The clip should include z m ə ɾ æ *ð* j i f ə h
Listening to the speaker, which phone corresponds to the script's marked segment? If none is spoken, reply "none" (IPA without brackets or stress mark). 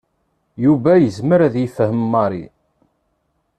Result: ð